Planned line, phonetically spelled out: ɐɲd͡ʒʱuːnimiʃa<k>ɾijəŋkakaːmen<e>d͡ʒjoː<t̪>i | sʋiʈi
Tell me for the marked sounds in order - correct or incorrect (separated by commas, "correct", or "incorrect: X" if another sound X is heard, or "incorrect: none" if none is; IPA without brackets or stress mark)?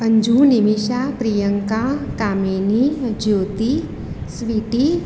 incorrect: p, incorrect: i, correct